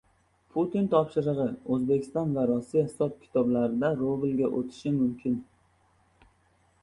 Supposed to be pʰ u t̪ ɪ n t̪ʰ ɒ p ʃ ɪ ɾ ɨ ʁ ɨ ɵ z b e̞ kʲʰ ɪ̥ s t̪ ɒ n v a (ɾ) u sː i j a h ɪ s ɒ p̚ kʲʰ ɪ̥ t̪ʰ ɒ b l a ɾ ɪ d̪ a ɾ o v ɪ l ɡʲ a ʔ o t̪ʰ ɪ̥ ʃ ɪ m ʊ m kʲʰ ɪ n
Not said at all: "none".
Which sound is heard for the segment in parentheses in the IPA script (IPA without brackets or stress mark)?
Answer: ɾ